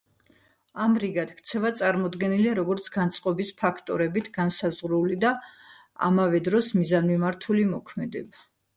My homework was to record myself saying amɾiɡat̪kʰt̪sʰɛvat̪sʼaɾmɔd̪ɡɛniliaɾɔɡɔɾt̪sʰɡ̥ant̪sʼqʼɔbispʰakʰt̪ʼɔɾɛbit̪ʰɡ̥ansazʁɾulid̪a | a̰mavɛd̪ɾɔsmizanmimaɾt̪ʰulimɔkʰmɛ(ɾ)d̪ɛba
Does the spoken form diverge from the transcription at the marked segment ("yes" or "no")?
yes